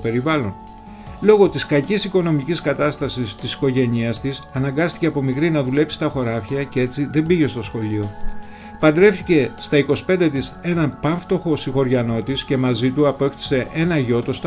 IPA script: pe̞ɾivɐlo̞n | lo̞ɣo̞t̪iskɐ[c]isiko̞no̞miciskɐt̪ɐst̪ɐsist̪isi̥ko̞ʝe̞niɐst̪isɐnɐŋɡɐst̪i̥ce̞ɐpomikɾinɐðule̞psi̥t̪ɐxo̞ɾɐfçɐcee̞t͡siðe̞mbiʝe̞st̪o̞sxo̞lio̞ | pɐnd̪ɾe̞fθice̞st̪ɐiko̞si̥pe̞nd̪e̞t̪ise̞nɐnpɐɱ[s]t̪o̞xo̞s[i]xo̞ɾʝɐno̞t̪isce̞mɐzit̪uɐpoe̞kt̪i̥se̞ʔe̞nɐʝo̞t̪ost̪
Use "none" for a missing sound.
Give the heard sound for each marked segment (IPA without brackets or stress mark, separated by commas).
c, f, i